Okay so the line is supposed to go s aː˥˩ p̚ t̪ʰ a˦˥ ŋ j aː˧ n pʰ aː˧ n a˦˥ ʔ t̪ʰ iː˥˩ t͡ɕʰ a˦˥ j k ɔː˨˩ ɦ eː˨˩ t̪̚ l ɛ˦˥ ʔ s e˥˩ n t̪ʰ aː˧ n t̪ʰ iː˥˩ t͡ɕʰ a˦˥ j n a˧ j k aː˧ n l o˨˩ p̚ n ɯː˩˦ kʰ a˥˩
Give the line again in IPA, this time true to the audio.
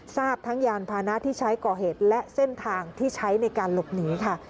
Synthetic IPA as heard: s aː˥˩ p̚ t̪ʰ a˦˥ ŋ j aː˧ n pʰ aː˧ n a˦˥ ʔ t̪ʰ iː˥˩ t͡ɕʰ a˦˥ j k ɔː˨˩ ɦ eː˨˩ t̪̚ l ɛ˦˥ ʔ s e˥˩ n t̪ʰ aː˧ ŋ t̪ʰ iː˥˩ t͡ɕʰ a˦˥ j n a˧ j k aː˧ n l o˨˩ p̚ n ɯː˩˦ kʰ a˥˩